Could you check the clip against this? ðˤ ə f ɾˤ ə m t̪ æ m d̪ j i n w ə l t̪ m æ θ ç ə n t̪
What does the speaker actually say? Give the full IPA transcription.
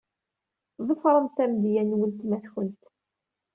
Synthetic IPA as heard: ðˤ ə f ɾˤ ə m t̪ æ m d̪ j æ n w ə l t̪ m æ θ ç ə n t̪